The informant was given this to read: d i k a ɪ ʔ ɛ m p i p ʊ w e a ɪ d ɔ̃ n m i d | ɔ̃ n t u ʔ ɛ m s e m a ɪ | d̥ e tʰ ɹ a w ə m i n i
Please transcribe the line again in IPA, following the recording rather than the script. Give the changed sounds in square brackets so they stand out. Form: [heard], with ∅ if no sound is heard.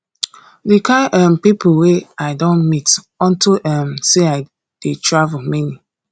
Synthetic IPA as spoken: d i k a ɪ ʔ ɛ m p i p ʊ w e a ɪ d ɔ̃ n m i [t] | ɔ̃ n t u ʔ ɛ m s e [∅] a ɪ | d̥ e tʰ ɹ a [v] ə m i n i